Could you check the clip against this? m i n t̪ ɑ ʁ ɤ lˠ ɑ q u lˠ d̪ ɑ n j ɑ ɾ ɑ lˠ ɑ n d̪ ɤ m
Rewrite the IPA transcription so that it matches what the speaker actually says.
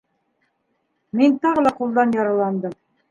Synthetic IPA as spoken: m i n t̪ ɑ ʁ ɤ lˠ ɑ q u lˠ d̪ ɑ n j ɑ ɾ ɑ lˠ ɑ n d̪ ɤ m